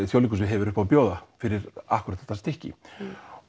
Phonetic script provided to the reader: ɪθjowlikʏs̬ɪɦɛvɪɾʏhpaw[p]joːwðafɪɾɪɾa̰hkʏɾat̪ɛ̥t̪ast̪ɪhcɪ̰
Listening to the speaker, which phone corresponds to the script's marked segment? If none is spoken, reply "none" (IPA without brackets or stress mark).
p